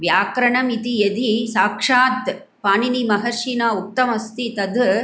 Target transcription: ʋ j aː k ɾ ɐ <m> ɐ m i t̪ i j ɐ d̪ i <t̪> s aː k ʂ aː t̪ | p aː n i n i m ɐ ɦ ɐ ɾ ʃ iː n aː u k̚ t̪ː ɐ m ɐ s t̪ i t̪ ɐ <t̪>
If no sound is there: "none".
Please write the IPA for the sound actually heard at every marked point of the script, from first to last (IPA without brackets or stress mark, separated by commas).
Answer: ɳ, none, d̪